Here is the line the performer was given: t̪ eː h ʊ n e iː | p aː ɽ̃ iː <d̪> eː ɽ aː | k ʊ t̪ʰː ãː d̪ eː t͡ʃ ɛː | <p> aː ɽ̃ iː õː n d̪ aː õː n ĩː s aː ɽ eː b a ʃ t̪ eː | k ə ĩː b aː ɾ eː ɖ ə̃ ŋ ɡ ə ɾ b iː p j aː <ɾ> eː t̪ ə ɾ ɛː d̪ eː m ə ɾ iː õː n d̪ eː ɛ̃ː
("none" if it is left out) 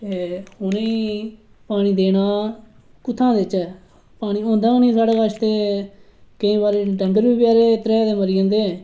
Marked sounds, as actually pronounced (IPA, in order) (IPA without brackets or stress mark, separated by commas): d̪, p, ɾ